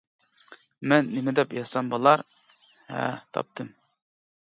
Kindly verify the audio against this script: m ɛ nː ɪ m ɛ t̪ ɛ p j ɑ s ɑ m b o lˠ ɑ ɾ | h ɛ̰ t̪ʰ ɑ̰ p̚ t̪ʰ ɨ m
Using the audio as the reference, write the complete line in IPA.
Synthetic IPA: m ɛ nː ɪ m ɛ d̪ ɛ p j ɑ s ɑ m b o lˠ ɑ ɾ | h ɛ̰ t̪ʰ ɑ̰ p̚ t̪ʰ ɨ m